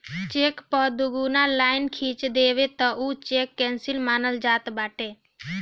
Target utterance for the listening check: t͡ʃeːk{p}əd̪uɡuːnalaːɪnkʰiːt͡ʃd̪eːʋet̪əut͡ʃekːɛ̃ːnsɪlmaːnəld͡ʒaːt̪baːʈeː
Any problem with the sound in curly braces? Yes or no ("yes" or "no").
no